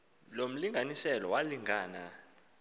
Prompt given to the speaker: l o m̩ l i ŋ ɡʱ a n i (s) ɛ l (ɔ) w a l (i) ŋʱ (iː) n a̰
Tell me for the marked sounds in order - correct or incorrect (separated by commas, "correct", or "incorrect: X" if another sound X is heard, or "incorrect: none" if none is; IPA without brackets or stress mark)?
correct, correct, correct, incorrect: aː